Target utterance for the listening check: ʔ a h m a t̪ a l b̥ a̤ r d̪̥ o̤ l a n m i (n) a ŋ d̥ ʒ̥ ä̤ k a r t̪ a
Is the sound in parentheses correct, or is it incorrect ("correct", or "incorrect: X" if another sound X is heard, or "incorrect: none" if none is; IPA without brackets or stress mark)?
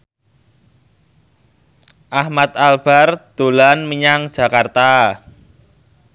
incorrect: ɲ